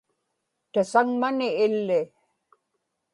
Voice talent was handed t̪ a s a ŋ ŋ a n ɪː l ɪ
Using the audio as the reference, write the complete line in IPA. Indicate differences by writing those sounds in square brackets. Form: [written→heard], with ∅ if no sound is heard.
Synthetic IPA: t̪ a s a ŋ [ŋ→m] a n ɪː [l→lː] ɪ